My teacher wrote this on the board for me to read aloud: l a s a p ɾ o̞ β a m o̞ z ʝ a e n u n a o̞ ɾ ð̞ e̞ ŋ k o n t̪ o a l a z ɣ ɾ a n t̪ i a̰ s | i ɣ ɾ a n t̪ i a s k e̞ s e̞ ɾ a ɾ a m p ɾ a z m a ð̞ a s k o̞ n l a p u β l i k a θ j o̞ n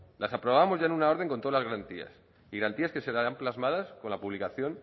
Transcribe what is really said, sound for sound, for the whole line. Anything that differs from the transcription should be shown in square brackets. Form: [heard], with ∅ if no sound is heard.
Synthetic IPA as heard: l a s a p ɾ o̞ β a m o̞ z ʝ a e n u n a o̞ ɾ ð̞ e̞ ŋ k o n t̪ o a l a z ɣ ɾ a n t̪ i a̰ s | i ɣ ɾ a n t̪ i a s k e̞ s e̞ ɾ a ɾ a m p [l] a z m a ð̞ a s k o̞ n l a p u β l i k a θ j o̞ n